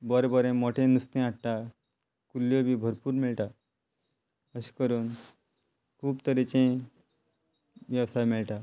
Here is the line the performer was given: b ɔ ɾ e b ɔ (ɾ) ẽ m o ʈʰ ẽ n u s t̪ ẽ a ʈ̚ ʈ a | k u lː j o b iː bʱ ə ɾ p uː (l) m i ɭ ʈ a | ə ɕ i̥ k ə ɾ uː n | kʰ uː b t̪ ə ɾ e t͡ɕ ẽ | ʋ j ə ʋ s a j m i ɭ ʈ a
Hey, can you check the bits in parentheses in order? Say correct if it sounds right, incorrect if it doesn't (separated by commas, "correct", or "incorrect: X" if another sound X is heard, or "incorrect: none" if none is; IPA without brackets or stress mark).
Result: correct, incorrect: ɾ